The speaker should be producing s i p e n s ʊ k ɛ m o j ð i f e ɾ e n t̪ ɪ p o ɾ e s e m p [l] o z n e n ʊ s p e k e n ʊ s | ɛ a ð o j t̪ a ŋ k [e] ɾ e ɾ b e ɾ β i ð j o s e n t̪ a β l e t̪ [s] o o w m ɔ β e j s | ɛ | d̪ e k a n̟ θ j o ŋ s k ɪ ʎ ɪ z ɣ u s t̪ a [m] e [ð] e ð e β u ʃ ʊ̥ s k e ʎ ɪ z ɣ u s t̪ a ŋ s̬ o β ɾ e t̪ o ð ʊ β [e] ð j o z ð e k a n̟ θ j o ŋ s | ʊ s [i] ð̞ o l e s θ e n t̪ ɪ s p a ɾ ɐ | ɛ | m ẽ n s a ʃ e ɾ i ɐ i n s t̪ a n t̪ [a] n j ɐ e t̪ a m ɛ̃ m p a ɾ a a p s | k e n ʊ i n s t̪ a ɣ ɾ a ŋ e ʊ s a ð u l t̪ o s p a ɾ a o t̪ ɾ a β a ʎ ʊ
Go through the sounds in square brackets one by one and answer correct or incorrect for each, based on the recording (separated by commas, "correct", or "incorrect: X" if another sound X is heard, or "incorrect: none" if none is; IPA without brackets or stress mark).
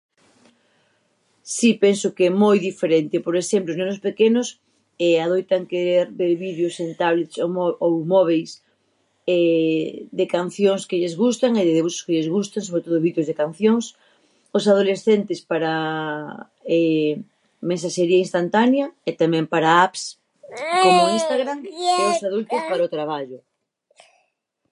correct, correct, correct, incorrect: ŋ, correct, incorrect: i, incorrect: a, correct